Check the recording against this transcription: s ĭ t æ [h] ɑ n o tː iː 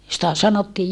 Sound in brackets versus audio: incorrect: s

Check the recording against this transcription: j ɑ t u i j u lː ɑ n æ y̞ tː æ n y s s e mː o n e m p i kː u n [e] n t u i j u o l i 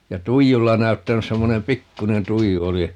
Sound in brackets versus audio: correct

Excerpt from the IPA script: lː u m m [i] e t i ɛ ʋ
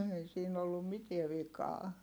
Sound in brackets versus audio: correct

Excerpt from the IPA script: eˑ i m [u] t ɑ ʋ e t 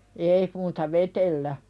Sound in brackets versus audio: incorrect: uː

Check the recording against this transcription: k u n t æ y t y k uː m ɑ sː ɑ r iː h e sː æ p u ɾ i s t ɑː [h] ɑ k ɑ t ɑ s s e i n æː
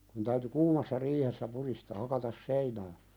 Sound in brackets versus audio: correct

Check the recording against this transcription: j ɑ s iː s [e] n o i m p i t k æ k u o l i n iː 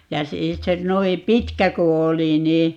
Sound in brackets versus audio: correct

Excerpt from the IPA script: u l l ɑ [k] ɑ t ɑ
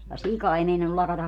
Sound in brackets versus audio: correct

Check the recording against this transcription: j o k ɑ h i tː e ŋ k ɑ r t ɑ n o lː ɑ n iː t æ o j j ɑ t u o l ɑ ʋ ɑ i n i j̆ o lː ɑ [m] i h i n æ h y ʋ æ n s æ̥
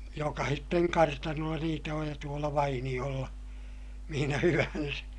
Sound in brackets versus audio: correct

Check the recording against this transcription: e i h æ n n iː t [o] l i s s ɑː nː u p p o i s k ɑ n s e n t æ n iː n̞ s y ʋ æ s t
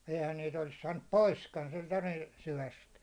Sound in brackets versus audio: correct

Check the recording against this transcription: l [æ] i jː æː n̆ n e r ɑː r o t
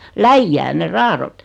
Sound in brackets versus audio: correct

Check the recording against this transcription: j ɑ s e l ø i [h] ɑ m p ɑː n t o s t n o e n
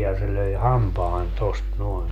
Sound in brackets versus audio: correct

